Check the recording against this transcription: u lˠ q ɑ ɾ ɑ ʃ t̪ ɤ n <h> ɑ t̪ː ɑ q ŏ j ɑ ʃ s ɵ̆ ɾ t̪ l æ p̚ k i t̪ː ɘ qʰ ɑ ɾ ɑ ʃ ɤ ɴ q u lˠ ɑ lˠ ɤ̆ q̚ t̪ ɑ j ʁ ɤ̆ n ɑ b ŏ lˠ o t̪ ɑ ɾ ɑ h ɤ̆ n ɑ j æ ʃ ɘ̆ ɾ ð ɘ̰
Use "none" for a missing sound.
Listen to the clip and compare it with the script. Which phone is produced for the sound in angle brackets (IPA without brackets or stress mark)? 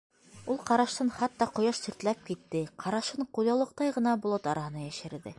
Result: χ